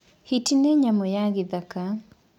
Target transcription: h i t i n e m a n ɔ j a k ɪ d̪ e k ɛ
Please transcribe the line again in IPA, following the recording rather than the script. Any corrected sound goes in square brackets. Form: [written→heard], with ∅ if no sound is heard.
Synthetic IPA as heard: h i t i n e [m→ɲ] a [n→m] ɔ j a [k→ɡ] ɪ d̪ [e→a] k [ɛ→a]